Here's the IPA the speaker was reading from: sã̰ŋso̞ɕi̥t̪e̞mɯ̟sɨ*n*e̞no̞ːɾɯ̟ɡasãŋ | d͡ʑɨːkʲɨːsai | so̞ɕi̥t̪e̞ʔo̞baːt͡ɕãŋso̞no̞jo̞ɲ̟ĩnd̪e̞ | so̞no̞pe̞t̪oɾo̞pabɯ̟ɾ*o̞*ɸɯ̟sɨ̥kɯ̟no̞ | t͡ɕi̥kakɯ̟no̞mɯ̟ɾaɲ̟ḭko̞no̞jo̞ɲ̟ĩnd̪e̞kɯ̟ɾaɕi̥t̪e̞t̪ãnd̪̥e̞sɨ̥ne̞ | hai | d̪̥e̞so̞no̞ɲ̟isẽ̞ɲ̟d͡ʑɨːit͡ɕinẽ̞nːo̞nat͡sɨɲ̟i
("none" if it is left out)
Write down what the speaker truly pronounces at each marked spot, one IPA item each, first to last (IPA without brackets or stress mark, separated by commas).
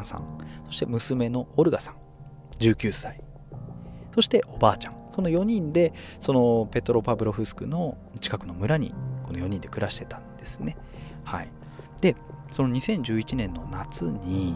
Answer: m, o̞